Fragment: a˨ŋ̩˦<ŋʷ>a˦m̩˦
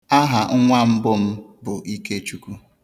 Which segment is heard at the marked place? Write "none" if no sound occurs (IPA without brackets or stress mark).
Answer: ŋʷ